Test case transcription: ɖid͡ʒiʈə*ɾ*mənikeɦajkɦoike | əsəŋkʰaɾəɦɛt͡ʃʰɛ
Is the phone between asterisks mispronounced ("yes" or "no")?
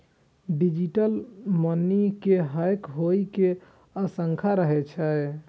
yes